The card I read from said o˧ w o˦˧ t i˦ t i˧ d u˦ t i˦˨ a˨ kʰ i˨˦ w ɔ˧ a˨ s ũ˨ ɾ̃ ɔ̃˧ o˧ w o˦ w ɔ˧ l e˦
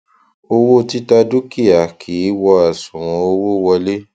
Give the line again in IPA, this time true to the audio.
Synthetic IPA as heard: o˧ w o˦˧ t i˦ t a˧ d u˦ k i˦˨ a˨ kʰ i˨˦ w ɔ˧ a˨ s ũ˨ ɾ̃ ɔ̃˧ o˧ w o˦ w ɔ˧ l e˦

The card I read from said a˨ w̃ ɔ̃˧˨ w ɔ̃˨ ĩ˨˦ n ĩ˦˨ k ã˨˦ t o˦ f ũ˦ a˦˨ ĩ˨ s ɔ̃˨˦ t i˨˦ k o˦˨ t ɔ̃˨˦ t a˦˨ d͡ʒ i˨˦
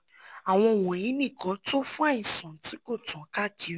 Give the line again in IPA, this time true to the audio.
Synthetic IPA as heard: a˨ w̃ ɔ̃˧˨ w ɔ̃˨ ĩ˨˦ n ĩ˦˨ k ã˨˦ t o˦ f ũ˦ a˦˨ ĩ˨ s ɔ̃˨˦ t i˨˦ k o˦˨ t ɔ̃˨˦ k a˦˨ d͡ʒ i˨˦

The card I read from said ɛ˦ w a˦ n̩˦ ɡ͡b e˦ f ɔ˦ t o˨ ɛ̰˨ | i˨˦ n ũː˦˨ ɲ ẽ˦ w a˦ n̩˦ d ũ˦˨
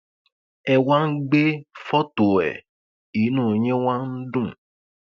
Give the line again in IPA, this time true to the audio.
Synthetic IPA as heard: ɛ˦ w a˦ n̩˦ ɡ͡b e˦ f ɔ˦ t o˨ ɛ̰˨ | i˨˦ n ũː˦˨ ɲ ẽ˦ w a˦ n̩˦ d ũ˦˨

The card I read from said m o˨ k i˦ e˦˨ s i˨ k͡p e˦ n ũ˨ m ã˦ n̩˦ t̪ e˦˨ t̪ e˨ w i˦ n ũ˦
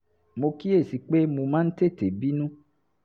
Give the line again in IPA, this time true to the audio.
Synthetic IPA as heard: m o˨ k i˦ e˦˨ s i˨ k͡p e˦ m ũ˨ m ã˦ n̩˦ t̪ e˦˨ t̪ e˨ b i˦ n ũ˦

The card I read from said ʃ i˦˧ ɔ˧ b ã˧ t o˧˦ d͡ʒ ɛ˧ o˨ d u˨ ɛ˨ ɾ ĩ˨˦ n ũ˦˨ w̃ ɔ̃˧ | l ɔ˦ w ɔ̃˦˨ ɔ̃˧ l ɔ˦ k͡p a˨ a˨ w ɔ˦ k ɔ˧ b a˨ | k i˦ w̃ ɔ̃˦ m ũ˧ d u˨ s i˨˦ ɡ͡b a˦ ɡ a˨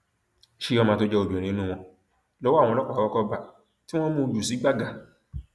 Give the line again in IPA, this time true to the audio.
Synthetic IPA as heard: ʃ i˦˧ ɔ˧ m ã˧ t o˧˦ d͡ʒ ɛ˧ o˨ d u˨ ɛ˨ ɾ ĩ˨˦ n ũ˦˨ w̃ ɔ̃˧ | l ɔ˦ w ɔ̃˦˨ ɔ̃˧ l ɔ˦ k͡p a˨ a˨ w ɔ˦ k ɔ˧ b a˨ | t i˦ w̃ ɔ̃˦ m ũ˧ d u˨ s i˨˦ ɡ͡b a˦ ɡ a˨

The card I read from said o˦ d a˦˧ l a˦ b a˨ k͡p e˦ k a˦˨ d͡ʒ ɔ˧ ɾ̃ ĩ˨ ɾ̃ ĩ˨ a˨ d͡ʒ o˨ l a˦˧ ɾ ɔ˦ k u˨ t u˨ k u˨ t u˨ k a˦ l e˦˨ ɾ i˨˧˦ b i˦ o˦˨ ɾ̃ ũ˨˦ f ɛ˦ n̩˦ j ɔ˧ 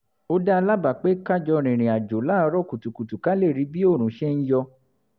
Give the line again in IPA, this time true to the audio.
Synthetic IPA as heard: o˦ d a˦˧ l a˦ b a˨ k͡p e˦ k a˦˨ d͡ʒ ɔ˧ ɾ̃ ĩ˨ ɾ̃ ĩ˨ a˨ d͡ʒ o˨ l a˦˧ ɾ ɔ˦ k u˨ t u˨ k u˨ t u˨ k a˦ l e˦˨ ɾ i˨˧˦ b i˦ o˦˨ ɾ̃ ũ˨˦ ʃ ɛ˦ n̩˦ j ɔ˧

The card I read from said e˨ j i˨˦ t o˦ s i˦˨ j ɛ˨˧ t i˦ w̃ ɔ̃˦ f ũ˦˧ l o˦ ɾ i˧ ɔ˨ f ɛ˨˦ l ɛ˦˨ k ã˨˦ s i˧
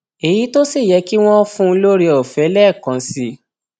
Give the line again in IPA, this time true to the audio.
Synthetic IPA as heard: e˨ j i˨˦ t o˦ s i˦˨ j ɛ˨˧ k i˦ w̃ ɔ̃˦ f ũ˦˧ l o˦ ɾ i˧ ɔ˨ f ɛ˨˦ l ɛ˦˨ k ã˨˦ s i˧

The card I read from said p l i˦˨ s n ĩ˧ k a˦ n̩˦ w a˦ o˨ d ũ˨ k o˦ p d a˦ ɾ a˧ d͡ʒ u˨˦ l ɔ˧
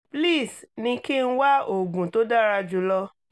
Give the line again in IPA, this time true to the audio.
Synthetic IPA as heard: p l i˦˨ s n ĩ˧ k i˦ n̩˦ w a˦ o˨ ɡ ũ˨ t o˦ d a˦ ɾ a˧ d͡ʒ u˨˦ l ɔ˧

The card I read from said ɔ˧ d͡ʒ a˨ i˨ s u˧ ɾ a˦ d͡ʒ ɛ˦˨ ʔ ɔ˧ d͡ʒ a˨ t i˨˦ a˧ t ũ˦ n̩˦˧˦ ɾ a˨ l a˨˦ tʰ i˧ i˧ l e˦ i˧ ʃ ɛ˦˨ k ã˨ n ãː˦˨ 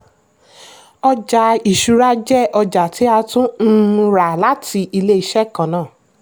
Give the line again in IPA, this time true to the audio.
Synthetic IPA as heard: ɔ˧ d͡ʒ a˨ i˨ ʃ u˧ ɾ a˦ d͡ʒ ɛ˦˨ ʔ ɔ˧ d͡ʒ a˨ t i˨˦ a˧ t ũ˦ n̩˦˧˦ ɾ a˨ l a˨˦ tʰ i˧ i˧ l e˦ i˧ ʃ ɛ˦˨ k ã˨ n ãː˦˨

